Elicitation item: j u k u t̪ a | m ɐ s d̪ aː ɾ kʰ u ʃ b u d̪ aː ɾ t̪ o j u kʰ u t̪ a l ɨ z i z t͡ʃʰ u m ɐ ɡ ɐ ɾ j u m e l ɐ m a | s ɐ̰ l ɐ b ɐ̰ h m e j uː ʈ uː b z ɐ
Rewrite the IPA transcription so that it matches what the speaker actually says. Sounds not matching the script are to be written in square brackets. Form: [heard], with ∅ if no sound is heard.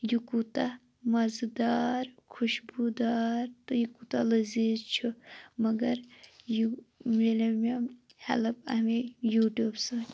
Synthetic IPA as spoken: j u k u t̪ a | m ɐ [z] d̪ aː ɾ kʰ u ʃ b u d̪ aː ɾ t̪ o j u [k] u t̪ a l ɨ z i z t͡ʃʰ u m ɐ ɡ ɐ ɾ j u m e l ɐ m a | [h] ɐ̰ l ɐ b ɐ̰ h m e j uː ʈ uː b [s] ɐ